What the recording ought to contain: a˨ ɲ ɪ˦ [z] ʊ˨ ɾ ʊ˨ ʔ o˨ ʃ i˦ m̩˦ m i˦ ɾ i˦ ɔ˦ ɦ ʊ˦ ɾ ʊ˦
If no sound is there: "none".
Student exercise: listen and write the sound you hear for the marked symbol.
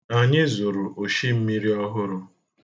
z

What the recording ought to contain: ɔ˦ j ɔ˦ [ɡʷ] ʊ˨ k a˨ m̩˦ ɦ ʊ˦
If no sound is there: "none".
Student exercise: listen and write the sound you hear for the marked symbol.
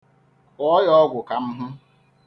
ɡʷ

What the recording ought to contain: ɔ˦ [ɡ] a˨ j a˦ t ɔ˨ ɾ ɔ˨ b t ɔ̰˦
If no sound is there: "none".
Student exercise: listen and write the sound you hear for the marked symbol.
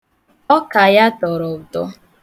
k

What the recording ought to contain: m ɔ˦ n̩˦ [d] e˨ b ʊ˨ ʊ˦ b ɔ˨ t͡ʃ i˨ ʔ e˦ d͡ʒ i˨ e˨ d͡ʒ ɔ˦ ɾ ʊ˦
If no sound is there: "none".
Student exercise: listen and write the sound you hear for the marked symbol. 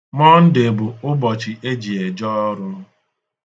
d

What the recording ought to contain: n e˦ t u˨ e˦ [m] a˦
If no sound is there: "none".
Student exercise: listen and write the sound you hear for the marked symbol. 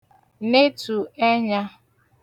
ɲ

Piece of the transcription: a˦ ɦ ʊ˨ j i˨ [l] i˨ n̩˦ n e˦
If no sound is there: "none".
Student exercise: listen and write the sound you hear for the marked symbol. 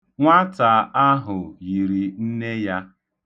ɾ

